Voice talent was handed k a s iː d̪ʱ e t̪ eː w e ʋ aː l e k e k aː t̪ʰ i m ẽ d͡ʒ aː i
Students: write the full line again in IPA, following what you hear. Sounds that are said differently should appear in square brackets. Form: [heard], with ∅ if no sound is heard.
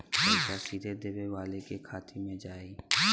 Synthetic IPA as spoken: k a s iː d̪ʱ e [d̪] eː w e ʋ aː l e k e [kʰ] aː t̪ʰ i m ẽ d͡ʒ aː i